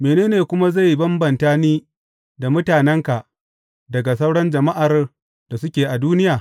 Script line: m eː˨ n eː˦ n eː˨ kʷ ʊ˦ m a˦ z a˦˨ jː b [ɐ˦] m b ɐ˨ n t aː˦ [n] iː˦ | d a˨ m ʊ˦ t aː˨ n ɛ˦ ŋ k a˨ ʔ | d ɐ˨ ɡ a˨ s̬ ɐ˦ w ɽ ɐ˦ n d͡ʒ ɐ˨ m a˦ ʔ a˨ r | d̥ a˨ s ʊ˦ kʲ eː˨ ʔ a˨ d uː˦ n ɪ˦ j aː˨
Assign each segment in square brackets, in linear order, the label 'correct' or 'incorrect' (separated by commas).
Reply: correct, correct